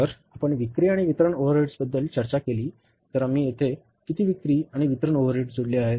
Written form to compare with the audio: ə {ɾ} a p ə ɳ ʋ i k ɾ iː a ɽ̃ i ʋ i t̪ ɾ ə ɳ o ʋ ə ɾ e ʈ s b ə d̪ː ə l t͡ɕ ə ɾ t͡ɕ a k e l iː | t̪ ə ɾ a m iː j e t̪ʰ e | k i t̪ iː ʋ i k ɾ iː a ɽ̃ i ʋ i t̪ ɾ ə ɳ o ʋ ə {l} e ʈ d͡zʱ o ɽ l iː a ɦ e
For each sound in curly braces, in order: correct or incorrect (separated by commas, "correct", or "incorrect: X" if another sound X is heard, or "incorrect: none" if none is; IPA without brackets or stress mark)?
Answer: correct, incorrect: ɾ